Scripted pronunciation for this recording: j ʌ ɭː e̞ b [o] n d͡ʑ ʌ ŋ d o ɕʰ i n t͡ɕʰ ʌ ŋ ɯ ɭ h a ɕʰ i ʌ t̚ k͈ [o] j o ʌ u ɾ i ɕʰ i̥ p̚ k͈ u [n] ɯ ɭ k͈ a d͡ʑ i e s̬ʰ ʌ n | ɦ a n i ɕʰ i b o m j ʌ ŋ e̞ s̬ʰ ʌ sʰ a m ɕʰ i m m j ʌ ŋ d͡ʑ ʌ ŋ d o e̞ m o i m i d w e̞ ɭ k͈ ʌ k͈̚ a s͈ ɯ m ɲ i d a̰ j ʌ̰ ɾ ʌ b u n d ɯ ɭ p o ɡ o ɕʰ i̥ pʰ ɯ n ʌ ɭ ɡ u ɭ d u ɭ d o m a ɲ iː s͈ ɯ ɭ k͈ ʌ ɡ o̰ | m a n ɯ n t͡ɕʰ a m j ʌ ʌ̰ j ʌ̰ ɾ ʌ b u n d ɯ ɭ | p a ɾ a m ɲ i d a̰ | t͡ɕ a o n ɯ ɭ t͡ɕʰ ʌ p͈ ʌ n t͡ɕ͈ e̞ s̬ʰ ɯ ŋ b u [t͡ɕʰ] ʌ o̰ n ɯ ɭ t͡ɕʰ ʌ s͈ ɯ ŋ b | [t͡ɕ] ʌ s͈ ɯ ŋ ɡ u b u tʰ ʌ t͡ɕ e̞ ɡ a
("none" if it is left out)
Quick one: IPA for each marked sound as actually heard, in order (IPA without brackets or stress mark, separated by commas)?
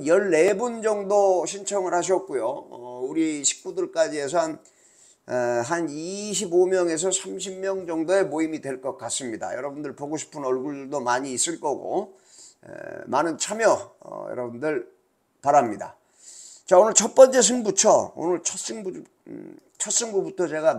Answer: u, u, d, t͡ɕʰ, t͡ɕʰ